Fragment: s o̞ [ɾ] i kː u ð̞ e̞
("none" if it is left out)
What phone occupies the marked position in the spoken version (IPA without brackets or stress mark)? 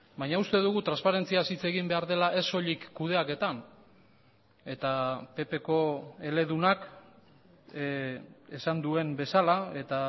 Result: ʎ